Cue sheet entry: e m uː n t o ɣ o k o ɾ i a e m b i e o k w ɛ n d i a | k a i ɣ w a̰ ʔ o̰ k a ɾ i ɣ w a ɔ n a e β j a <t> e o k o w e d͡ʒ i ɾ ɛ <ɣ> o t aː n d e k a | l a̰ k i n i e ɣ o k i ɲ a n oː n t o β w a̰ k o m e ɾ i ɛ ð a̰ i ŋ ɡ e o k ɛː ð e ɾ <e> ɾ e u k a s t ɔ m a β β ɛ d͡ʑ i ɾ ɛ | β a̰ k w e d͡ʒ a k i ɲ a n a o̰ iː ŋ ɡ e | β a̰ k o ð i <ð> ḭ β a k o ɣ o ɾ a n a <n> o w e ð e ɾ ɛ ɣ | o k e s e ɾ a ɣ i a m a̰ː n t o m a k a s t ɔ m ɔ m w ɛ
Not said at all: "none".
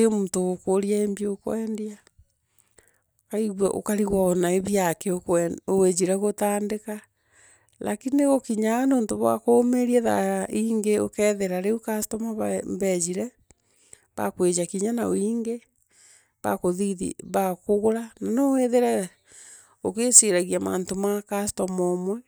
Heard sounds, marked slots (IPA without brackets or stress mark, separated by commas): k, ɣ, a, ð, n